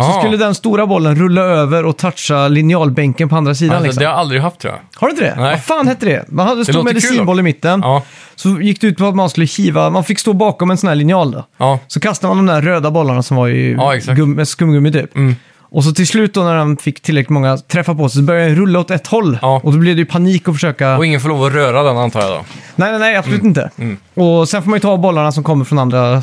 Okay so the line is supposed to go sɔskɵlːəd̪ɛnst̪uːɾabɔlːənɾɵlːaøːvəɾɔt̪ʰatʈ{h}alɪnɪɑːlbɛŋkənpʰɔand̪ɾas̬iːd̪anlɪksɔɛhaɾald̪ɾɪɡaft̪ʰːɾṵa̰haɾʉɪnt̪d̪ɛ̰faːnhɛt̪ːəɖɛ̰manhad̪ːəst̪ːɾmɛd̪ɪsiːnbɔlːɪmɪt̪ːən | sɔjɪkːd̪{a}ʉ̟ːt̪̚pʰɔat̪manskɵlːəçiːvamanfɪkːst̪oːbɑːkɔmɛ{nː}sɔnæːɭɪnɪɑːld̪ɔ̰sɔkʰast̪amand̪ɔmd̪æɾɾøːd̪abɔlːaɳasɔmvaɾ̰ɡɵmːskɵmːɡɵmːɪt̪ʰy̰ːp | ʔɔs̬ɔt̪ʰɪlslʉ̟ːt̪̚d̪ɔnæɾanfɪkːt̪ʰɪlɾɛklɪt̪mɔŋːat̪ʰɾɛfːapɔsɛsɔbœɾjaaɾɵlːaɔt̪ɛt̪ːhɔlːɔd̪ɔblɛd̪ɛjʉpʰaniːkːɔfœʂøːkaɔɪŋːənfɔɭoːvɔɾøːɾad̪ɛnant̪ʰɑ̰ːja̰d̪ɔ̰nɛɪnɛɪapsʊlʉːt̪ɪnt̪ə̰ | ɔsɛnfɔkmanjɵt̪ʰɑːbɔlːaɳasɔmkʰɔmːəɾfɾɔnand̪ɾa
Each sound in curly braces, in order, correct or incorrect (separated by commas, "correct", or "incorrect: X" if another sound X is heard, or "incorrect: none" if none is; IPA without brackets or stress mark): incorrect: ʂ, incorrect: ɛ, incorrect: n